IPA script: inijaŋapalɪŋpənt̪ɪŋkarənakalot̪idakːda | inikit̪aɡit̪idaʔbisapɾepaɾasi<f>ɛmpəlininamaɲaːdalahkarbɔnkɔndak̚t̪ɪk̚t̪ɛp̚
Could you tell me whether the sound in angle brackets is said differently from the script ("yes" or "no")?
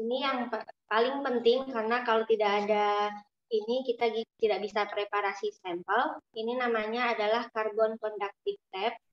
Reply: yes